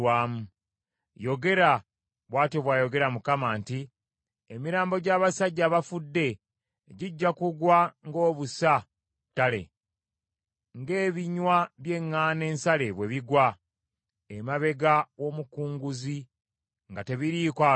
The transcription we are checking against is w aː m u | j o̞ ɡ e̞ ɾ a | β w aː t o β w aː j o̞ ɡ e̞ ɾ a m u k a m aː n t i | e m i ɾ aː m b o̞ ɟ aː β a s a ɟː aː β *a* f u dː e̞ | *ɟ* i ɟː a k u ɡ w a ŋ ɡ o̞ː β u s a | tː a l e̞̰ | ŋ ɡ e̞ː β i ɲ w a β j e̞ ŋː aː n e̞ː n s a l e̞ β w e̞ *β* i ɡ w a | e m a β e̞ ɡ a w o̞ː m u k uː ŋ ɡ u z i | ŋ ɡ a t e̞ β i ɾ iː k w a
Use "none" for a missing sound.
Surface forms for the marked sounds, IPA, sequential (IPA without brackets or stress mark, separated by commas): a, ɟ, β